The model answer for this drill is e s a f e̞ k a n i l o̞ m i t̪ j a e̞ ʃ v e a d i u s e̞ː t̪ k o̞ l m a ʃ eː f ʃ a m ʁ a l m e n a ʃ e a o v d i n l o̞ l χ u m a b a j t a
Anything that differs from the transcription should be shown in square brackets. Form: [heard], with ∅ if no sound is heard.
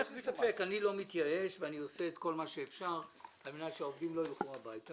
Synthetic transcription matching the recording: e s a f e̞ k a n i l o̞ m i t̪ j a e̞ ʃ v e a [n] i [o] s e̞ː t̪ k o̞ l m a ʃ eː f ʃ a [∅] ʁ a l m e n a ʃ e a o v d i [m] l o̞ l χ u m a b a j t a